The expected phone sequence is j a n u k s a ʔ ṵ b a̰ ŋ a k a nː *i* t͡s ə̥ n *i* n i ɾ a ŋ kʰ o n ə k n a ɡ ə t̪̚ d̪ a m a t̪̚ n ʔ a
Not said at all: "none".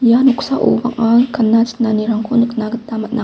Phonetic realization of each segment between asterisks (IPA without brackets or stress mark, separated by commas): a, a